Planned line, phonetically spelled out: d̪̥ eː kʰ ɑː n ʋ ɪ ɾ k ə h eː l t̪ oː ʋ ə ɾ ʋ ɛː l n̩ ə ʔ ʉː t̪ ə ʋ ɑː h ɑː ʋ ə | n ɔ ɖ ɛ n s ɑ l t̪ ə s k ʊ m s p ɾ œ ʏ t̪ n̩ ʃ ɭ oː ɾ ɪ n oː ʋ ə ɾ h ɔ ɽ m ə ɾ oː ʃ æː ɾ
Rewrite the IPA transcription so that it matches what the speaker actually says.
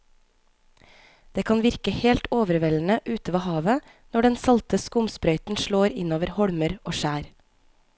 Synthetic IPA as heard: d̪̥ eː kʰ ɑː n ʋ ɪ ɾ k ə h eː l t̪ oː ʋ ə ɾ ʋ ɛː l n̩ ə ʔ ʉː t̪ ə ʋ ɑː h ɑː ʋ ə | n ɔ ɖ ɛ n s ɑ l t̪ ə s k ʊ m s p ɾ œ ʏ t̪ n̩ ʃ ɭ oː ɾ ɪ n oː ʋ ə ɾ h ɔ ɽ m ə ɾ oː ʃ æː ɾ